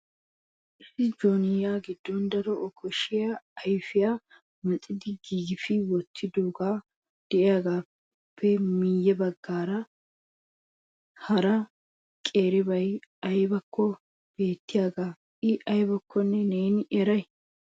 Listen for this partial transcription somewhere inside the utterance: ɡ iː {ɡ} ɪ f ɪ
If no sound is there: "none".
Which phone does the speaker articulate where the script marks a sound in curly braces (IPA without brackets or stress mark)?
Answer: ɡ